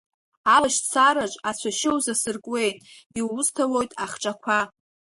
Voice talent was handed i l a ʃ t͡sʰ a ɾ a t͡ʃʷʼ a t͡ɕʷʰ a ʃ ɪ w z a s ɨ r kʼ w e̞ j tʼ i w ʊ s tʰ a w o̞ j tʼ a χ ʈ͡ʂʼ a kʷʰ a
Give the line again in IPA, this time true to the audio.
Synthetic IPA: a l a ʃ t͡sʰ a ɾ a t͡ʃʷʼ a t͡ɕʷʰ a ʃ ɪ w z a s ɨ r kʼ w e̞ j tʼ i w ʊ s tʰ a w o̞ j tʼ a χ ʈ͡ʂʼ a kʷʰ a

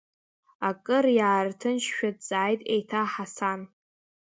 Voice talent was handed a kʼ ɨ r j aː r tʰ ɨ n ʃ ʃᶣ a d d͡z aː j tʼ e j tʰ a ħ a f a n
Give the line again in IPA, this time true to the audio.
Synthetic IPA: a kʼ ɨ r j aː r tʰ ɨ n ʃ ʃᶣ a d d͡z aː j tʼ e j tʰ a ħ a s a n

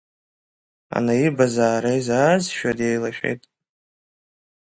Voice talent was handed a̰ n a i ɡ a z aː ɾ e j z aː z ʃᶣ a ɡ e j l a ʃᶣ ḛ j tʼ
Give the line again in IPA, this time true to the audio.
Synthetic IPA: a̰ n a i b a z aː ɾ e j z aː z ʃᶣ a d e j l a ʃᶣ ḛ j tʼ

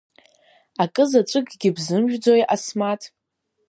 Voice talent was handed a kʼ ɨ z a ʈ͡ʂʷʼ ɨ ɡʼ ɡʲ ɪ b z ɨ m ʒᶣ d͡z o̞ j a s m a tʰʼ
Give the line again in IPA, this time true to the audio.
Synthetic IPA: a kʼ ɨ z a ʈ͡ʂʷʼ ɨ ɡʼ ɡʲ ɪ b z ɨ m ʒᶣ d͡z o̞ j a s m a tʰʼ

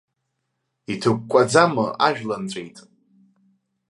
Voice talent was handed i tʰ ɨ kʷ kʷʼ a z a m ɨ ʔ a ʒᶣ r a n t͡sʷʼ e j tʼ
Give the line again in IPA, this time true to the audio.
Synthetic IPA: i tʰ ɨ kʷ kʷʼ a d͡z a m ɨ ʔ a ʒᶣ l a n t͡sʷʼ e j tʼ

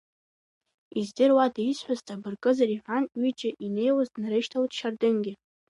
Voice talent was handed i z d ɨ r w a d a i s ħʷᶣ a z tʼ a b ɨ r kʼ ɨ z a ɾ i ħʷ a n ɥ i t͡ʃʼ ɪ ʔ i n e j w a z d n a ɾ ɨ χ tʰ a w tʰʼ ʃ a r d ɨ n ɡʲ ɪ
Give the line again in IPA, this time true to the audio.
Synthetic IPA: i z d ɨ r w a d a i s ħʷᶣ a z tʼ a b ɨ r kʼ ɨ z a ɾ i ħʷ a n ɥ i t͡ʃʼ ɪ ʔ i n e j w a z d n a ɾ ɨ ʃ tʰ a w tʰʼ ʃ a r d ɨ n ɡʲ ɪ

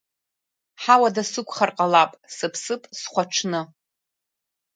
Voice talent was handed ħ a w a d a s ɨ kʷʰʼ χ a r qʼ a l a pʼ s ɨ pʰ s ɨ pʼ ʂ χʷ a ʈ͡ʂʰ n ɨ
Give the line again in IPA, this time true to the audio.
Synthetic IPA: ħ a w a d a s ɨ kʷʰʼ χ a r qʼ a l a pʼ s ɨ pʰ s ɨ pʼ s χʷ a ʈ͡ʂʰ n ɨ

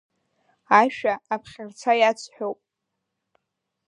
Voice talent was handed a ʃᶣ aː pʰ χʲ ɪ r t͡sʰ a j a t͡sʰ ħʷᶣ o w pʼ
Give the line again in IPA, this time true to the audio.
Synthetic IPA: a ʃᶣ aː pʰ χʲ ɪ r t͡sʰ a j a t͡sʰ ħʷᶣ o w pʼ

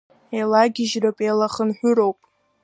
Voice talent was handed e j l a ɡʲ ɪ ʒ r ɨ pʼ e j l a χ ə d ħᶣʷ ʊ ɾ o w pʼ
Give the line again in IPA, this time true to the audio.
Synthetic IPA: e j l a ɡʲ ɪ ʒ r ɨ pʼ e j l a χ ə n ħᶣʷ ʊ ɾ o w pʼ

